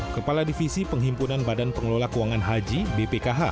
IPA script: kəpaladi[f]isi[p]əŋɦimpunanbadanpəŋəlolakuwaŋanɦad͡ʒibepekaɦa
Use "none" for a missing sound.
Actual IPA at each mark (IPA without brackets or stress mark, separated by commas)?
f, p